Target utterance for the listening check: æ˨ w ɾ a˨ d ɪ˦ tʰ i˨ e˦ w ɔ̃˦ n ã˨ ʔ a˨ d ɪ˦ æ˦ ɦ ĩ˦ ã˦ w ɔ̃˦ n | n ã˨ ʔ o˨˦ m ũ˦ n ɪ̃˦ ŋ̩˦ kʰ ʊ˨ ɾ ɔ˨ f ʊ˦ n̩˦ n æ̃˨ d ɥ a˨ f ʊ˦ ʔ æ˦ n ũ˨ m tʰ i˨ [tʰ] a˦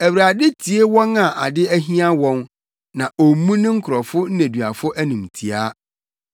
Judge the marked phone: incorrect: none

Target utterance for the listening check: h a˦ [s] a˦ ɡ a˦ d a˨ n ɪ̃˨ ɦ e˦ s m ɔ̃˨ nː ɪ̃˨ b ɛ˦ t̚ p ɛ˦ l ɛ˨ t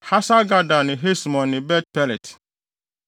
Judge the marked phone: correct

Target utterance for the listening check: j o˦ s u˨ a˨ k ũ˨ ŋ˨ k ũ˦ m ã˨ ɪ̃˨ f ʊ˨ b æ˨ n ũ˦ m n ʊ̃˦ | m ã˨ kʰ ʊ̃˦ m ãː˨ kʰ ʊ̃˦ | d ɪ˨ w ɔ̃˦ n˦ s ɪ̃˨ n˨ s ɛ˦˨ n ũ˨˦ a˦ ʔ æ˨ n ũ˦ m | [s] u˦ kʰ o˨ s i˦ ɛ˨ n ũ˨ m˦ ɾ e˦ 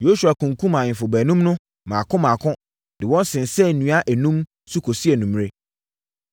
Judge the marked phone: correct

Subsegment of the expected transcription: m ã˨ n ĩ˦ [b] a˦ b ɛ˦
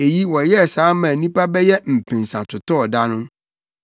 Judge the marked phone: incorrect: p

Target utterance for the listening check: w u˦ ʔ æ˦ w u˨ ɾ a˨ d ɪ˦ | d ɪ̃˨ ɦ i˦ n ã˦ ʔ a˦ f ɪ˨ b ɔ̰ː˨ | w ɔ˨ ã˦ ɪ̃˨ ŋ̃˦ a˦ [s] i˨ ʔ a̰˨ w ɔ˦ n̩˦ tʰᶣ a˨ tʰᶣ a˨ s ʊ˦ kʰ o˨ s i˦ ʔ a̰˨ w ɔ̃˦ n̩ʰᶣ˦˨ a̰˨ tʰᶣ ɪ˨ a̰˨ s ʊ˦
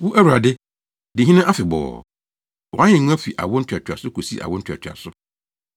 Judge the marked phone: incorrect: f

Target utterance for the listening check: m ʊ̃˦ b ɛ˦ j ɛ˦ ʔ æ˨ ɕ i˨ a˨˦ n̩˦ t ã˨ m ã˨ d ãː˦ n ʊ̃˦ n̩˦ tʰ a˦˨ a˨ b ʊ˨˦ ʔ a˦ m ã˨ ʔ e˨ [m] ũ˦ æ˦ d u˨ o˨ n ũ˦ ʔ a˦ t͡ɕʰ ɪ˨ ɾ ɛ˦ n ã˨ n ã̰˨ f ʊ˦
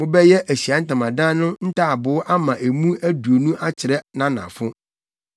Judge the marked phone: correct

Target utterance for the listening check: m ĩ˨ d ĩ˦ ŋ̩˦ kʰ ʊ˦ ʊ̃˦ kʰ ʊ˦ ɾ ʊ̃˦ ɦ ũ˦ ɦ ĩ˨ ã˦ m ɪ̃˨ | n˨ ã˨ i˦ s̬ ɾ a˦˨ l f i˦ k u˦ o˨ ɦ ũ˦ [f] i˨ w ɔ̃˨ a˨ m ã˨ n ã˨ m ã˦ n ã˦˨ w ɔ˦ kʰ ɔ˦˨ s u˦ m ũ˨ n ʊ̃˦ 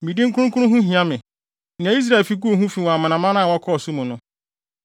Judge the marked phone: correct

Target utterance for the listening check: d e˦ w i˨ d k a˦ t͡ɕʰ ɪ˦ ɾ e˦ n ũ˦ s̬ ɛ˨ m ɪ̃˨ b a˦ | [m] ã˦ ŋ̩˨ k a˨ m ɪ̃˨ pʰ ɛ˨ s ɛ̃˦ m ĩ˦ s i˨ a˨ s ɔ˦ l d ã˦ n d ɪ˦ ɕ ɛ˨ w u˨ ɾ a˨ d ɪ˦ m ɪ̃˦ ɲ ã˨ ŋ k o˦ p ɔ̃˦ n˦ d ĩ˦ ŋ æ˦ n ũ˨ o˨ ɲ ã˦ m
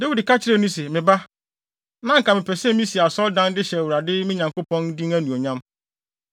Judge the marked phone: incorrect: n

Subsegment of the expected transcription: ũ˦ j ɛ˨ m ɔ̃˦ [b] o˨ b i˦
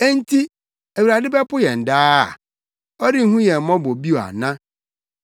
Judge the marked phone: correct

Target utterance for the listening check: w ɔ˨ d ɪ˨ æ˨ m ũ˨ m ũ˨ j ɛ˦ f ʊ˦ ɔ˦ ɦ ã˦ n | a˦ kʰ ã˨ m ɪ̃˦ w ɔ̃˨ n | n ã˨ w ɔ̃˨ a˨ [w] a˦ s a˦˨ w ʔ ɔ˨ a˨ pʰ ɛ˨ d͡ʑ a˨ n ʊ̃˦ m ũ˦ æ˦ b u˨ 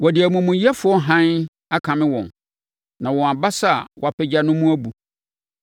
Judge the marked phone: incorrect: b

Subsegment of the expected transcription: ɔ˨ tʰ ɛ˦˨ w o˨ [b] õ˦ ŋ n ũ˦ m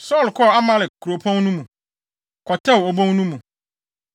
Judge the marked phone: correct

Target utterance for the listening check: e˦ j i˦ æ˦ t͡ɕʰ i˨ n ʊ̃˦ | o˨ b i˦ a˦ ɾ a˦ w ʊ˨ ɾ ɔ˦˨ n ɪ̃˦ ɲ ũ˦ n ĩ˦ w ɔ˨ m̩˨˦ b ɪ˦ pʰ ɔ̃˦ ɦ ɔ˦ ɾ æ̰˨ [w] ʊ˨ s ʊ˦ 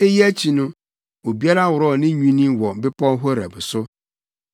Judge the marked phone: incorrect: b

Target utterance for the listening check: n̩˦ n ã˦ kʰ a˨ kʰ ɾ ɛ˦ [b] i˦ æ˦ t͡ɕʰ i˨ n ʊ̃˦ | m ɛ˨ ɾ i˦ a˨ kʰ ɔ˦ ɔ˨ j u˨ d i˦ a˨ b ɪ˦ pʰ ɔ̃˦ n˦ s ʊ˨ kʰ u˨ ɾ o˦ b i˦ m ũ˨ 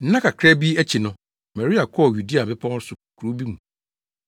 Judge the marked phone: correct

